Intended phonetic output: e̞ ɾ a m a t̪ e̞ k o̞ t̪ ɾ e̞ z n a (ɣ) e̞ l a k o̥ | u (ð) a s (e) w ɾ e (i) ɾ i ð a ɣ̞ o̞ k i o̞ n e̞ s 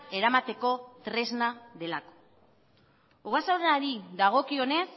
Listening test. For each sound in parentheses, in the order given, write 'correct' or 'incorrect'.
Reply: incorrect, incorrect, incorrect, incorrect

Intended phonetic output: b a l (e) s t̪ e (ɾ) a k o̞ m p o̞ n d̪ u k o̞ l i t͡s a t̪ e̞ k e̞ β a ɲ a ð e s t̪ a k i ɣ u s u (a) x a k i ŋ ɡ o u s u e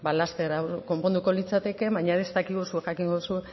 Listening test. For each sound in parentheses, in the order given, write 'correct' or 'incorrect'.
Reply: incorrect, correct, incorrect

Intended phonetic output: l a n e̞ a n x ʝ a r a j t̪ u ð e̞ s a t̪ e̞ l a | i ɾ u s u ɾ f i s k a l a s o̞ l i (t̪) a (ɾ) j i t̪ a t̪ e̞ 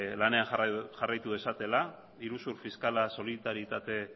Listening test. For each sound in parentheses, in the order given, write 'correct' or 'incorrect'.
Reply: correct, correct

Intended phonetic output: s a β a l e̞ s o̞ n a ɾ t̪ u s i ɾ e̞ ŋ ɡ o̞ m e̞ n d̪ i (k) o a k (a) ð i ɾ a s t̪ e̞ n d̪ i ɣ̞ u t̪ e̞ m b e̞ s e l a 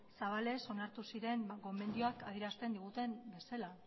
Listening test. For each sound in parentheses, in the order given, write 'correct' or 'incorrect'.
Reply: incorrect, correct

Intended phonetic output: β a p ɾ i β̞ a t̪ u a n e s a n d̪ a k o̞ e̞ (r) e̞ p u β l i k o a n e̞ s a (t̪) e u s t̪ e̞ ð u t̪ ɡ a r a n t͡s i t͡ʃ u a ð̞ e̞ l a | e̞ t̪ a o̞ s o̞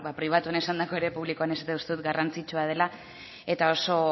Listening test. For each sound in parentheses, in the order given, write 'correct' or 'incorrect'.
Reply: incorrect, correct

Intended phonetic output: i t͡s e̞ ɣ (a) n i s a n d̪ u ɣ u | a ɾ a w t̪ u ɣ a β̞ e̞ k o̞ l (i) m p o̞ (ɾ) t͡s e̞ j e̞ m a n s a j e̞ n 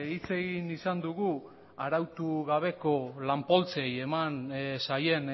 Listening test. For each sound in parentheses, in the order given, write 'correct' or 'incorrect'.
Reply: incorrect, incorrect, incorrect

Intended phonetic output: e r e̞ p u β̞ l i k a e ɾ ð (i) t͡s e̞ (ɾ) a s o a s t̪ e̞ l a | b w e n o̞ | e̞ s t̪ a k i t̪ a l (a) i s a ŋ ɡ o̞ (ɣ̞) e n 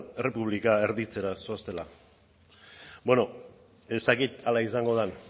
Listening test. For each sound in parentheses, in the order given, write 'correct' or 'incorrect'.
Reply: correct, correct, correct, incorrect

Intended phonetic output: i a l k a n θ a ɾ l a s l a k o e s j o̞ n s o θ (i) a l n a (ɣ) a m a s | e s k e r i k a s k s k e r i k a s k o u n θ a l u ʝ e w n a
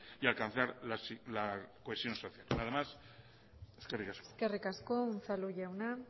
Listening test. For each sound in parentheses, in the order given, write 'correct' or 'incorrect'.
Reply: incorrect, incorrect

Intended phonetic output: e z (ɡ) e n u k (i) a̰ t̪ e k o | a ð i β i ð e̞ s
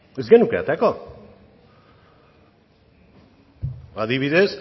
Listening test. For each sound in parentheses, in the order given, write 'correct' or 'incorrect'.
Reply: correct, incorrect

